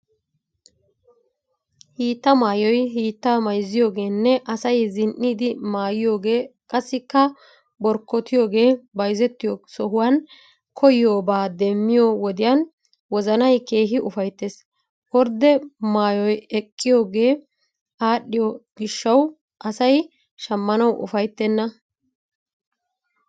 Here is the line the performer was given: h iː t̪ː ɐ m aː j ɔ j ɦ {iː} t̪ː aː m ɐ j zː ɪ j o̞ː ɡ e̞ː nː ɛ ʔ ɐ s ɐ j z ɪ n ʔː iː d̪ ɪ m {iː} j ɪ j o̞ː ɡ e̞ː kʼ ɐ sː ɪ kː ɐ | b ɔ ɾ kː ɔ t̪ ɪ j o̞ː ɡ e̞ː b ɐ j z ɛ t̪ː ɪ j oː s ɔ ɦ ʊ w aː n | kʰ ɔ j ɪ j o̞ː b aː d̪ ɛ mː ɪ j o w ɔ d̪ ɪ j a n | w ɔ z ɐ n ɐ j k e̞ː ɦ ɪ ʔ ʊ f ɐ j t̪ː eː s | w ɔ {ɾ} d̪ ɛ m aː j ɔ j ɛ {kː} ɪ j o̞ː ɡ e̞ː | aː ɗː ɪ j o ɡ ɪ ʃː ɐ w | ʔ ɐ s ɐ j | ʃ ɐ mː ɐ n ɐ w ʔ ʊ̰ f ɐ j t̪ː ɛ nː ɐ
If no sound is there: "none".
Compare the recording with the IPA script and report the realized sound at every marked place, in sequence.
iː, aː, ɾ, kʼː

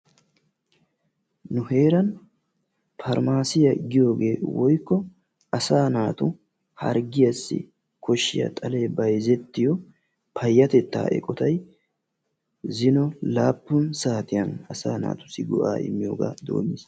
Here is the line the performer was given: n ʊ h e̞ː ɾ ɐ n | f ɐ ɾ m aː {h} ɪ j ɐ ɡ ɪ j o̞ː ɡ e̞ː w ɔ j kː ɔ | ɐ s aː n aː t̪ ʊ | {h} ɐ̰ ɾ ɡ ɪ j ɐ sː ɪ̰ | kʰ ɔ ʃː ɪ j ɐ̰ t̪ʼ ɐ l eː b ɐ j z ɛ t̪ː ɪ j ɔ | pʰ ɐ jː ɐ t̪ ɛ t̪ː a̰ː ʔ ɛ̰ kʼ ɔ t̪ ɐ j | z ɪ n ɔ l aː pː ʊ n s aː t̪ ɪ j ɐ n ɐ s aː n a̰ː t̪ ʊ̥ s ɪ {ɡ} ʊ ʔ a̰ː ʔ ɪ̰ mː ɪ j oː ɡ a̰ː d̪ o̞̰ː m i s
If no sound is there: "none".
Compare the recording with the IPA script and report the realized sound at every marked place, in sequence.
s, h, ɡ

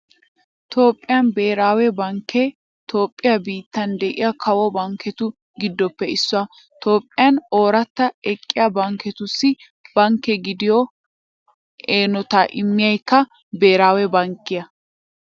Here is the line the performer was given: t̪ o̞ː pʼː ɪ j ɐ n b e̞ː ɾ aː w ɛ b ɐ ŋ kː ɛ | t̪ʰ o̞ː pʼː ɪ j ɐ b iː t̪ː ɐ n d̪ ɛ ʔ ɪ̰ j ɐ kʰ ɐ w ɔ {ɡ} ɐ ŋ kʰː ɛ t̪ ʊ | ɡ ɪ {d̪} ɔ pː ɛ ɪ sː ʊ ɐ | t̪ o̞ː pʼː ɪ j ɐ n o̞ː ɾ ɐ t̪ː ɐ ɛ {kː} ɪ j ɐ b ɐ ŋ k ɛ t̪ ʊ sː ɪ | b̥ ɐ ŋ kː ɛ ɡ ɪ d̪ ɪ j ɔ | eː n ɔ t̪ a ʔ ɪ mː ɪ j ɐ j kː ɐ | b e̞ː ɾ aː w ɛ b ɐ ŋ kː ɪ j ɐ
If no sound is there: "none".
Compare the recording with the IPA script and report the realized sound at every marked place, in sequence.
b, d̪ː, kʼː

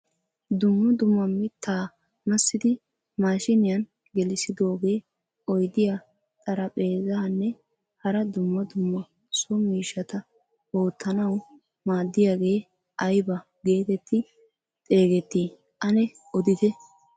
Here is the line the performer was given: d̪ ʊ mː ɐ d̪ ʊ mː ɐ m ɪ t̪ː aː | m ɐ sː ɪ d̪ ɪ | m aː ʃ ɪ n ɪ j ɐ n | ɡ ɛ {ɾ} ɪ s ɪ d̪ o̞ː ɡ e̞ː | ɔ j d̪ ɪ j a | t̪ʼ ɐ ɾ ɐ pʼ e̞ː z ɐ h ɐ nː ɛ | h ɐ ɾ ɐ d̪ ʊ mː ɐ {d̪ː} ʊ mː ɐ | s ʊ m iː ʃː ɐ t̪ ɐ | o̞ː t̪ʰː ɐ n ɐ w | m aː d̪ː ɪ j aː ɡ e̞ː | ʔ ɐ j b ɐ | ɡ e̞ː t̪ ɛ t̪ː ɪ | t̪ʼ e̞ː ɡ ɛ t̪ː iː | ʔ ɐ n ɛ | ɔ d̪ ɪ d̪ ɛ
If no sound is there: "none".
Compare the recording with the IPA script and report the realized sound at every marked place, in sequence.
l, d̪

